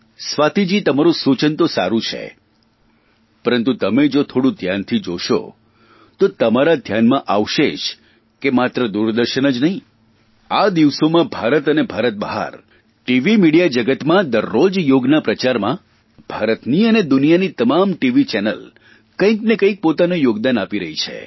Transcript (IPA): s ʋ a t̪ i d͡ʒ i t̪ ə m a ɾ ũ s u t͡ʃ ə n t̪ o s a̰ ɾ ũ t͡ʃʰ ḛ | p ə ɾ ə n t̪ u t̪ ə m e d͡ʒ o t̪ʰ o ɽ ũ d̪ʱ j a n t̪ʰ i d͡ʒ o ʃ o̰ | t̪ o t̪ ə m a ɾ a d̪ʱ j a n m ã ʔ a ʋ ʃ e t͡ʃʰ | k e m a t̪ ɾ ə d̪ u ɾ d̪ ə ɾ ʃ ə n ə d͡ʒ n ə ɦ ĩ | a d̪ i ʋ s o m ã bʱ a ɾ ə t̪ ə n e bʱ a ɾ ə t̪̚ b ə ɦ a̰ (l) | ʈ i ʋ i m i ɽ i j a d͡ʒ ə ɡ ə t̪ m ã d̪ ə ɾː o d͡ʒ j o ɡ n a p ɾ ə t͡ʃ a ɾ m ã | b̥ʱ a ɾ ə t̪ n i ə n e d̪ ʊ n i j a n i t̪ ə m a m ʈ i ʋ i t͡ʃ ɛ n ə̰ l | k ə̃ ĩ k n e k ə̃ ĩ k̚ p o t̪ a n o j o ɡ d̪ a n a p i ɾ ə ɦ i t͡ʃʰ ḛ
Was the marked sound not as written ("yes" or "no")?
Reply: yes